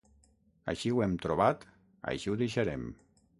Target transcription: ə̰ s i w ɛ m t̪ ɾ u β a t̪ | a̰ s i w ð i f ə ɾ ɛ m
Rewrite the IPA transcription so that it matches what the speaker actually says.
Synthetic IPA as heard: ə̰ ʃ i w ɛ m t̪ ɾ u β a t̪ | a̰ ʃ i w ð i ʃ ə ɾ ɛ m